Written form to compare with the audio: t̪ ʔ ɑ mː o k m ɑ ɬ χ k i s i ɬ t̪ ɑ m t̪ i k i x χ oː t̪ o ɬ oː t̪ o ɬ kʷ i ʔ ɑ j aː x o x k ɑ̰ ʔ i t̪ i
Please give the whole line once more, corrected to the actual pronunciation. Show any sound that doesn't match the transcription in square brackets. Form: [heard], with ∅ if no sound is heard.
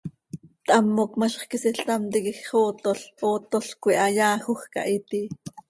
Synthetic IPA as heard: t̪ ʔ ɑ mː o k m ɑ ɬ χ k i s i ɬ t̪ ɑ m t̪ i k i x χ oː t̪ o ɬ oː t̪ o ɬ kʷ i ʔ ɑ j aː x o x k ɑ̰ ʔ i t̪ i